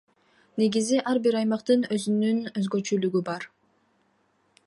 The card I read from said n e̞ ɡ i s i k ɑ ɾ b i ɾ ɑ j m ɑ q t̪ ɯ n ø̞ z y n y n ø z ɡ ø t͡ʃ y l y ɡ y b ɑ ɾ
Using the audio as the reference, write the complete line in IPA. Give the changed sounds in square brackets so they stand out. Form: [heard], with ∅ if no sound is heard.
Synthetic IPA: n e̞ ɡ i [z] i [ʔ] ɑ ɾ b i ɾ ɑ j m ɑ q t̪ ɯ n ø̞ z y n y n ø z ɡ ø t͡ʃ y l y ɡ y b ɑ ɾ

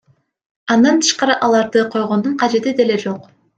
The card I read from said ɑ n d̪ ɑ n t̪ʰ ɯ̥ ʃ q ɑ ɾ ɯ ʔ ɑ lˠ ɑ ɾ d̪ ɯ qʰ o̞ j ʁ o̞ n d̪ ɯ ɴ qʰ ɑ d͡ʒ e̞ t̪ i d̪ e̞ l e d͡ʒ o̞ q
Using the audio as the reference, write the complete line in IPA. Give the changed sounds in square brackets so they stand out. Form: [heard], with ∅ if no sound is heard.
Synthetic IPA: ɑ n d̪ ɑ n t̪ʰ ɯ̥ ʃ q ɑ ɾ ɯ ʔ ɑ lˠ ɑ ɾ d̪ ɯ qʰ o̞ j ʁ o̞ n d̪ [u] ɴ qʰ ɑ d͡ʒ e̞ t̪ i d̪ e̞ l e d͡ʒ o̞ q

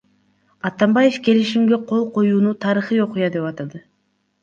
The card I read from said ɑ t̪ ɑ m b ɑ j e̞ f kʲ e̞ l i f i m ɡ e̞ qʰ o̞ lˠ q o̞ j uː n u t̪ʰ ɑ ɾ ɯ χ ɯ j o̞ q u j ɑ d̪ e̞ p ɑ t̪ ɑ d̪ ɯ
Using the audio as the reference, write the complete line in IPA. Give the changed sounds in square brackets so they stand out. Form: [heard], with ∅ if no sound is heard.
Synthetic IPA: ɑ t̪ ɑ m b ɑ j e̞ f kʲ e̞ l i [ʃ] i m ɡ e̞ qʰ o̞ lˠ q o̞ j uː n u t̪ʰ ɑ ɾ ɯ χ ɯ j o̞ q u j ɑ d̪ e̞ p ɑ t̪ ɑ d̪ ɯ

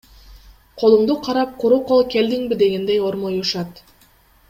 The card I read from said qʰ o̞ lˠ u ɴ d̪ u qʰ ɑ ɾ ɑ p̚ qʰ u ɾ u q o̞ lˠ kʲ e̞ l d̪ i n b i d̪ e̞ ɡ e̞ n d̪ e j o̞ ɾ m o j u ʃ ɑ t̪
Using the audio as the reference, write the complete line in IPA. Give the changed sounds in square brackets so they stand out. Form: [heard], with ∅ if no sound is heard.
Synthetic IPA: qʰ o̞ lˠ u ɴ d̪ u qʰ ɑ ɾ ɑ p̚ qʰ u ɾ u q o̞ lˠ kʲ e̞ l d̪ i [ŋ] b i d̪ e̞ ɡ e̞ n d̪ e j o̞ ɾ m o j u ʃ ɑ t̪

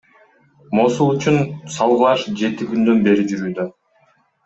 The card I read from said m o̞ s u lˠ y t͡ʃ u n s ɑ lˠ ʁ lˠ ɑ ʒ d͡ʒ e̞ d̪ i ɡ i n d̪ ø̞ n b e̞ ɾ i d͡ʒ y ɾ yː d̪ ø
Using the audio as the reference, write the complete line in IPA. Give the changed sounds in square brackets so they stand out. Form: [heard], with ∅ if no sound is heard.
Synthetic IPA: m o̞ s u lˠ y t͡ʃ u n s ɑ lˠ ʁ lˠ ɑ [ʃ] d͡ʒ e̞ [t̪] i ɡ [y] n d̪ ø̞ n b e̞ ɾ i d͡ʒ y ɾ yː d̪ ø

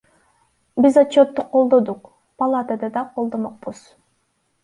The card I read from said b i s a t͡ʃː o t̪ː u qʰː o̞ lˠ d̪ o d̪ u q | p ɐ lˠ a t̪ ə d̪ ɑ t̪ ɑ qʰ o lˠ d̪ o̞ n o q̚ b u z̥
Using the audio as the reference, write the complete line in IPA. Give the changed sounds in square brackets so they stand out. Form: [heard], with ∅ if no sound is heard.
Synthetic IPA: b i [z] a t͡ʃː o t̪ː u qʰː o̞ lˠ d̪ o d̪ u q | p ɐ lˠ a t̪ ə d̪ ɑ [d̪] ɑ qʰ o lˠ d̪ o̞ [m] o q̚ b u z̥

